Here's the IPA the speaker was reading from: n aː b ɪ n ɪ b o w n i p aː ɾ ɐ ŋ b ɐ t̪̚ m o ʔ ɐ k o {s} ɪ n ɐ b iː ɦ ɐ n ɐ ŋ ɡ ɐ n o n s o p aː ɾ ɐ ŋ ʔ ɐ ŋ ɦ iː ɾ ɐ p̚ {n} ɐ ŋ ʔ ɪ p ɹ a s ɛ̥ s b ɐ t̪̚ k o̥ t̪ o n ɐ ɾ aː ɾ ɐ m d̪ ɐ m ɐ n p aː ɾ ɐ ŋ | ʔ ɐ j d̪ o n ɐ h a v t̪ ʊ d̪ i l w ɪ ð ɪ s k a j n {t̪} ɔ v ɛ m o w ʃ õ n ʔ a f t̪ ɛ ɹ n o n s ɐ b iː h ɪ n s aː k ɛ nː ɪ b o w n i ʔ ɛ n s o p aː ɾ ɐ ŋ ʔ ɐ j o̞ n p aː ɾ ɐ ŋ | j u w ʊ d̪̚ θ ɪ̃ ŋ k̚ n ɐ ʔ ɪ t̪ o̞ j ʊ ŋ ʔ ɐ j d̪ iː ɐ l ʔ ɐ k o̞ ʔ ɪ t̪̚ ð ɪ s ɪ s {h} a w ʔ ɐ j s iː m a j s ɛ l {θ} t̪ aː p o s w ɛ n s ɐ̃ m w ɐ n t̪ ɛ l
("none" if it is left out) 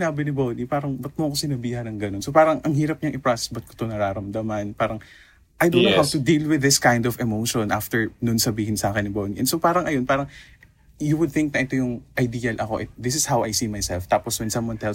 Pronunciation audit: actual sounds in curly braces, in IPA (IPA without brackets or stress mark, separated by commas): s, ɲ, d̪, h, f